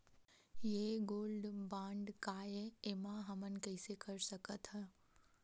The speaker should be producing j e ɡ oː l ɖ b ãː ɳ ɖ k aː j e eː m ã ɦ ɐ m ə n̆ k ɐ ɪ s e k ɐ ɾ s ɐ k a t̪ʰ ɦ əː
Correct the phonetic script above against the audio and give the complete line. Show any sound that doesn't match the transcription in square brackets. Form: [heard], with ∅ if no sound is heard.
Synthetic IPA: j e ɡ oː l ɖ b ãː ɳ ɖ k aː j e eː m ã ɦ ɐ m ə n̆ k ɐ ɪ s e k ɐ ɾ s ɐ k [ə] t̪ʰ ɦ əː

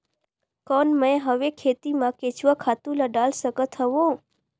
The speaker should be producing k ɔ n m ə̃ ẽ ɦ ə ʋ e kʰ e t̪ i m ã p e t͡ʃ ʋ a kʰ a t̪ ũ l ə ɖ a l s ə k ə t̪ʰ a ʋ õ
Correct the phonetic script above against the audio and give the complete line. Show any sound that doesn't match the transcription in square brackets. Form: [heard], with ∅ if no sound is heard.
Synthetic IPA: k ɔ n m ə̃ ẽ ɦ ə ʋ e kʰ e t̪ i m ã [k] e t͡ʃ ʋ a kʰ a t̪ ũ l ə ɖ a l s ə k ə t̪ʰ [ə] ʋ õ

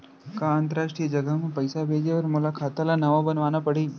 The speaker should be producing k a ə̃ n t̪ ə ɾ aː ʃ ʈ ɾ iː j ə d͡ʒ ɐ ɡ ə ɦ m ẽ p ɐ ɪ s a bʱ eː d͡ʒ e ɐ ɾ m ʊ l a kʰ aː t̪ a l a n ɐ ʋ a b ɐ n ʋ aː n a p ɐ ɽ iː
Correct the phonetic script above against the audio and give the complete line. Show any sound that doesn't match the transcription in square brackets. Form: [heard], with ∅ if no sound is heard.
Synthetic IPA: k a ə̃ n t̪ ə ɾ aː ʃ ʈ ɾ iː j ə d͡ʒ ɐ ɡ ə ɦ m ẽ p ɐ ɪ s a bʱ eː d͡ʒ e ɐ ɾ m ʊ l a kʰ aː t̪ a l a n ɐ ʋ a b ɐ n ʋ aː n a p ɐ ɽ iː

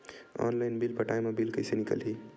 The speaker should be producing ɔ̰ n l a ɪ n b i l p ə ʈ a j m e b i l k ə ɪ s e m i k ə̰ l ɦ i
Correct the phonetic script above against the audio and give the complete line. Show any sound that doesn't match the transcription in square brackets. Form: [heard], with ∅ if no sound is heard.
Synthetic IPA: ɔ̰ n l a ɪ n b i l p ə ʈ a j m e b i l k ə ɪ s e [n] i k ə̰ l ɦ i

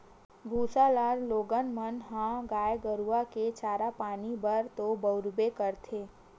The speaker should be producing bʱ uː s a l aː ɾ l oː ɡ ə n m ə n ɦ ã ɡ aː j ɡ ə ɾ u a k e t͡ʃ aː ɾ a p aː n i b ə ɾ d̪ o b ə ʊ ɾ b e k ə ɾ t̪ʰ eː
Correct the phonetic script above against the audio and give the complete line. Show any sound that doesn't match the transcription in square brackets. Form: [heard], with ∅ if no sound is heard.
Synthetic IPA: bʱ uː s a l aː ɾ l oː ɡ ə n m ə n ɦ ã ɡ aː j ɡ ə ɾ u a k e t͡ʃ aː ɾ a p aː n i b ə ɾ [t̪] o b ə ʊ ɾ b e k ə ɾ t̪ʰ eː

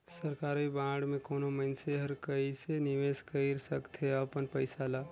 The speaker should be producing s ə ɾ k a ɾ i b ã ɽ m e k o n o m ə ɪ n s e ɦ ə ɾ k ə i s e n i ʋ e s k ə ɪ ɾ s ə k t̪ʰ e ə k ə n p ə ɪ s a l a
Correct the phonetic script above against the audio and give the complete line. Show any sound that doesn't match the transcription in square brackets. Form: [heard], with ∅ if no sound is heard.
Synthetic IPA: s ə ɾ k a ɾ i b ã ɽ m e k o n o m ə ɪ n s e ɦ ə ɾ k ə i s e n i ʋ e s k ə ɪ ɾ s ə k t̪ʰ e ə [p] ə n p ə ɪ s a l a

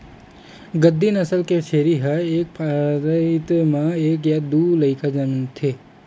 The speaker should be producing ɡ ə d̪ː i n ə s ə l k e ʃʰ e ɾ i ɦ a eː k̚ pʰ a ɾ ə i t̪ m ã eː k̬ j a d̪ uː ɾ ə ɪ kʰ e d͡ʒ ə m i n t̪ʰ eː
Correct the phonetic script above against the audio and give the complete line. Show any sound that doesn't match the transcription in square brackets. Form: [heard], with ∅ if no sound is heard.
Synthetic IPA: ɡ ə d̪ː i n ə s ə l k e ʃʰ e ɾ i ɦ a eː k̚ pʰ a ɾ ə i t̪ m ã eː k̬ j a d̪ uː [l] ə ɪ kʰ [a] d͡ʒ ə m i n t̪ʰ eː

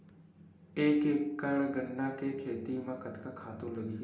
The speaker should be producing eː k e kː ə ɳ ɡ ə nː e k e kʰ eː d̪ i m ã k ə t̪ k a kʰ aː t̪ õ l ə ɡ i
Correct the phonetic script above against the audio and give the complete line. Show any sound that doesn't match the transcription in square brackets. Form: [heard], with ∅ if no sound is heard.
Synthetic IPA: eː k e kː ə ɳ ɡ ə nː [a] k e kʰ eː [t̪] i m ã k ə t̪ k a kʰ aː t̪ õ l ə ɡ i

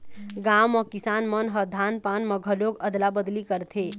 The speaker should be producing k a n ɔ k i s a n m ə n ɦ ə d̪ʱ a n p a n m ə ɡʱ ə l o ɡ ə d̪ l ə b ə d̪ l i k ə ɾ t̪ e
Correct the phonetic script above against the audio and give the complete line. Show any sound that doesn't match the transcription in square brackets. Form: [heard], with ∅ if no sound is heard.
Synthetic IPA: [ɡ] a [m] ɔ k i s a n m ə n ɦ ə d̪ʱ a n p a n m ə ɡʱ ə l o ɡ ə d̪ l [a] b ə d̪ l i k ə ɾ [t̪ʰ] e

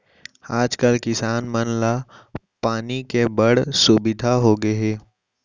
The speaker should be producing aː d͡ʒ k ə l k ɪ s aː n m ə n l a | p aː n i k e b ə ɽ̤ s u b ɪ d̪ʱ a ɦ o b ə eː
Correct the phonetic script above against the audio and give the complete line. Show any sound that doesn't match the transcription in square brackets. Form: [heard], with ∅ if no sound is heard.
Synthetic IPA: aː d͡ʒ k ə l k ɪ s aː n m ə n l a | p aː n i k e b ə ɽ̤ s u b ɪ d̪ʱ a ɦ o [ɡ] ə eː

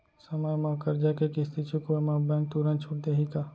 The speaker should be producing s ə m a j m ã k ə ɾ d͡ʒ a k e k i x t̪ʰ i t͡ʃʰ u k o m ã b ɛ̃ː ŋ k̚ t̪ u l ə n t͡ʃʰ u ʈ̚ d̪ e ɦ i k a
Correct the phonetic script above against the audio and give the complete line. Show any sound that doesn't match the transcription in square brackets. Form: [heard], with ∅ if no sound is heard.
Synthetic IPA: s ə m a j m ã k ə ɾ d͡ʒ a k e k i [s] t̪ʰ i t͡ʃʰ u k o m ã b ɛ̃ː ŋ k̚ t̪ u [ɾ] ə n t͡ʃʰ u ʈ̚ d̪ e ɦ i k a

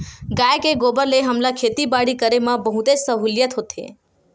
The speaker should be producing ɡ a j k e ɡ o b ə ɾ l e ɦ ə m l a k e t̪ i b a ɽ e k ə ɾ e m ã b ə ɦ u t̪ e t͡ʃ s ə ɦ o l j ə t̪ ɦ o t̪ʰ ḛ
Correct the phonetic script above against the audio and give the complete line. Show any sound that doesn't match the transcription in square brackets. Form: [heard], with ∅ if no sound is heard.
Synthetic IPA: ɡ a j k e ɡ o b ə ɾ l e ɦ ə m l a [kʰ] e t̪ i b a ɽ [i] k ə ɾ e m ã b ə ɦ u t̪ e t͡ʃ s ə ɦ [u] l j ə t̪ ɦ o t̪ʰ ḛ

